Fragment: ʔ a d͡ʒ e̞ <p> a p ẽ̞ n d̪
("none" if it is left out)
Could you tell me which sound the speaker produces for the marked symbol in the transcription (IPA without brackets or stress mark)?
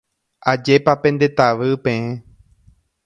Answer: p